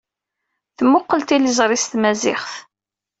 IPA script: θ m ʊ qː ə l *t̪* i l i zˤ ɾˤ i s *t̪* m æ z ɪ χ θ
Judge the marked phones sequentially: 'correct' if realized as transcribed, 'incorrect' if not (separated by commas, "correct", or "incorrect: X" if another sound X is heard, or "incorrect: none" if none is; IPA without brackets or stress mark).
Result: correct, correct